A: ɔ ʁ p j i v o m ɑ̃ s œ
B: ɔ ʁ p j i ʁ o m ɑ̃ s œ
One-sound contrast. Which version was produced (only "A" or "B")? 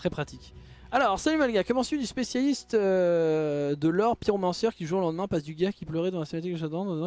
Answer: B